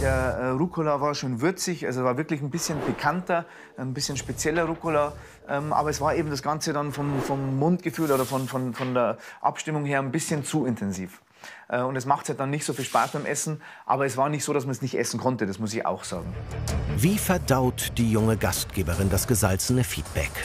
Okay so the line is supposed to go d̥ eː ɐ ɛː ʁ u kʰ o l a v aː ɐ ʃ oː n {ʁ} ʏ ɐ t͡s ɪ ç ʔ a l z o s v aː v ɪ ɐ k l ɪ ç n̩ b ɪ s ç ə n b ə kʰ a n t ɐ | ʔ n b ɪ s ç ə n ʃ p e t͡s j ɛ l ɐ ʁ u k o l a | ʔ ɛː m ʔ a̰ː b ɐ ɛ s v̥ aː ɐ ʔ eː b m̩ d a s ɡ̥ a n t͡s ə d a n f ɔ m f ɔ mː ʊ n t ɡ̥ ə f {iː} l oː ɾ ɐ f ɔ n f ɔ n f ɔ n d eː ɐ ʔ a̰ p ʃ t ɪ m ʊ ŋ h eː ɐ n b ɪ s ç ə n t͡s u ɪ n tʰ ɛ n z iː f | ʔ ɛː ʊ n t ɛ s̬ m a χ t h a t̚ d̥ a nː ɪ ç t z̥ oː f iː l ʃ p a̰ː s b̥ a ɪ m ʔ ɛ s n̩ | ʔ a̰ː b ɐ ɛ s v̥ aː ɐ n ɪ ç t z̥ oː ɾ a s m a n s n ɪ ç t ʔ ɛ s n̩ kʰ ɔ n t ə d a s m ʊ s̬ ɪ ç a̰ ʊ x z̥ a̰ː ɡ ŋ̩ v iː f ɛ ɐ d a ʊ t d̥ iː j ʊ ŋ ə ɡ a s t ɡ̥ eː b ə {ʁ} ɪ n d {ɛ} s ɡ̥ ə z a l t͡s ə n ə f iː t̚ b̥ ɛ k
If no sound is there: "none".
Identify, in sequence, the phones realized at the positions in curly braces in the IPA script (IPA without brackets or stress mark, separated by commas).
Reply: v, yː, ʁ, a